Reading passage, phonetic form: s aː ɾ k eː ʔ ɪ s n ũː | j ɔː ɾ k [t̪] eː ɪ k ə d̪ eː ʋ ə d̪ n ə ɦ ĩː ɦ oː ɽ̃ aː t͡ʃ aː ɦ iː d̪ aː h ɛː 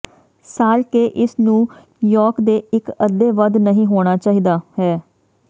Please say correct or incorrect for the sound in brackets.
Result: incorrect